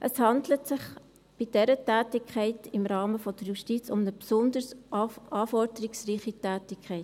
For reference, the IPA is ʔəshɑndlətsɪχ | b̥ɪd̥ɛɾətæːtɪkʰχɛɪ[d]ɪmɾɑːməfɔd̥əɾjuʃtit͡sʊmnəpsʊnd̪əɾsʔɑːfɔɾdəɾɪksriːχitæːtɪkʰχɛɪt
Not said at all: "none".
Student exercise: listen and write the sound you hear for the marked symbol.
t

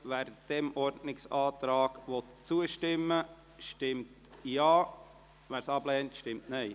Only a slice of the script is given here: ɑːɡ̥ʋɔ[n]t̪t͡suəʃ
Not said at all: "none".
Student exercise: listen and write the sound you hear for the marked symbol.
none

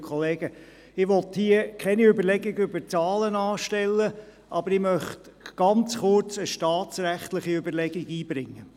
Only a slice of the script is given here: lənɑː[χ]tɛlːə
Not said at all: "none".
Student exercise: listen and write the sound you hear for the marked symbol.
ʃ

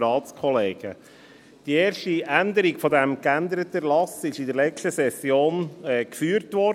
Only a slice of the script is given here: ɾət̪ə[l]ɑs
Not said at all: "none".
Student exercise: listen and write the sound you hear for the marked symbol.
l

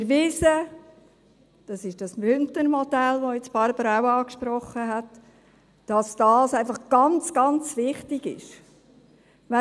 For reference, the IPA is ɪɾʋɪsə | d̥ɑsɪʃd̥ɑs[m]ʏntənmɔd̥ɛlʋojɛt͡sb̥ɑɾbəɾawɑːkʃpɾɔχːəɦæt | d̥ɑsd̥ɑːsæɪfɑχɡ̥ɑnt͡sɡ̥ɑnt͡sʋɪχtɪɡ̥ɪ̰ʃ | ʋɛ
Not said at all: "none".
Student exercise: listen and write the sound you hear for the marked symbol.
m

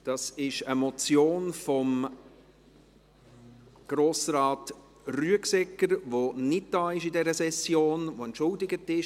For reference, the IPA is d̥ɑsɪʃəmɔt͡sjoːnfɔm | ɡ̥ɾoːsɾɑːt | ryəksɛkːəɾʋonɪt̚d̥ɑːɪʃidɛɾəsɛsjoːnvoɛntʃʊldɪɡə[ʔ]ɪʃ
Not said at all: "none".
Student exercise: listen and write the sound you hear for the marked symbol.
t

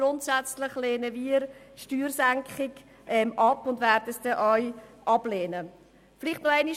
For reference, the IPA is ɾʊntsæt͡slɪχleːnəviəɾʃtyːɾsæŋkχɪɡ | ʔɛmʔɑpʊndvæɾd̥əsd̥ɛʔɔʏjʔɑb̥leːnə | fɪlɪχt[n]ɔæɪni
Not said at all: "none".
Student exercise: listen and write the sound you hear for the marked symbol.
n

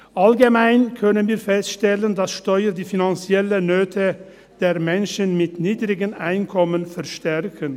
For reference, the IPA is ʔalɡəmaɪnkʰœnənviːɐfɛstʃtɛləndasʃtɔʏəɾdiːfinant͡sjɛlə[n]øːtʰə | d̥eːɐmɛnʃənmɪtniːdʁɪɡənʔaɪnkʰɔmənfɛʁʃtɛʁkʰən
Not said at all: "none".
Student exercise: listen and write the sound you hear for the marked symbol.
n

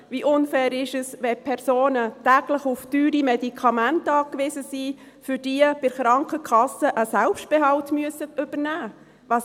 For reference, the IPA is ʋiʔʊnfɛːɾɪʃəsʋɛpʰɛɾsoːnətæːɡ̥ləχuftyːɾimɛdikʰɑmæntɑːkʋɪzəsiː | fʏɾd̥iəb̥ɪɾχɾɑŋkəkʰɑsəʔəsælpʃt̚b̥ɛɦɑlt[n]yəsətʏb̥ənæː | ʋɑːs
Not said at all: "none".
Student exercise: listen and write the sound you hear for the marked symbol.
m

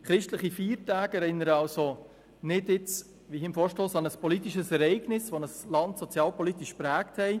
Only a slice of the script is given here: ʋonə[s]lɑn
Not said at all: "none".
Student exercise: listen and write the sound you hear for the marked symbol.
s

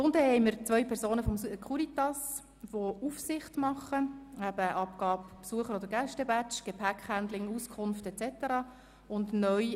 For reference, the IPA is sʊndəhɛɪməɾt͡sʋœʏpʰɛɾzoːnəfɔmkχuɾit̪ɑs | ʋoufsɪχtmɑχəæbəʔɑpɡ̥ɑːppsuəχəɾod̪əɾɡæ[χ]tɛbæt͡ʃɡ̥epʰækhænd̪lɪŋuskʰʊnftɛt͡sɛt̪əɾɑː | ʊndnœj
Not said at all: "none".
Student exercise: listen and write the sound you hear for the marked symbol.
ʃ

